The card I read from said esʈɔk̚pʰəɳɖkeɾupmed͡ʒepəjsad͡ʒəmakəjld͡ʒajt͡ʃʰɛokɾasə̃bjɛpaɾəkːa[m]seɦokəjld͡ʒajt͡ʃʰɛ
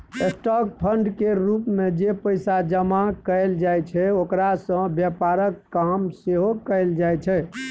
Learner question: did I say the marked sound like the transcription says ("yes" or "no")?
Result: yes